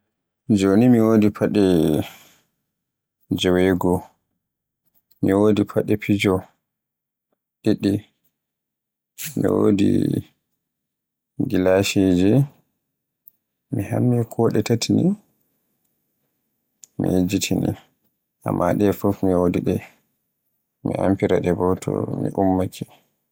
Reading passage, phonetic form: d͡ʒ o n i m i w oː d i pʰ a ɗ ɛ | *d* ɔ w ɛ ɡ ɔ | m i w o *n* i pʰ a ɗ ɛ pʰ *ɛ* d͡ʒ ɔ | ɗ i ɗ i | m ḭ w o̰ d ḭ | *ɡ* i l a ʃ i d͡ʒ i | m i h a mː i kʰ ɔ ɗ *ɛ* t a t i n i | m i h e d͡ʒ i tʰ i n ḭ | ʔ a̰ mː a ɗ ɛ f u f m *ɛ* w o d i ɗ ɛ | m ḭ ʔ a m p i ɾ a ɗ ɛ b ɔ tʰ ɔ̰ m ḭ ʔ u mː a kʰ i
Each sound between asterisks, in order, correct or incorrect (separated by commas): incorrect, incorrect, incorrect, correct, correct, incorrect